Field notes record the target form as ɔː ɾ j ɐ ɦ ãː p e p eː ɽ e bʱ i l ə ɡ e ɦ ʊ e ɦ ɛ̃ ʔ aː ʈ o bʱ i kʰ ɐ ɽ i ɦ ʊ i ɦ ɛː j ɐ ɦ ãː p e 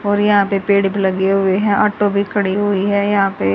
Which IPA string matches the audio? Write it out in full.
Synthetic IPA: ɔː ɾ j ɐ ɦ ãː p e p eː ɽ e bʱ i l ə ɡ e ɦ ʊ e ɦ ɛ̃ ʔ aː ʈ o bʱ i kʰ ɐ ɽ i ɦ ʊ i ɦ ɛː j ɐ ɦ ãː p e